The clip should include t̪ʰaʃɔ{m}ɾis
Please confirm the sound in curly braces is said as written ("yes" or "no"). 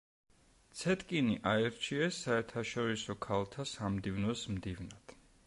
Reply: no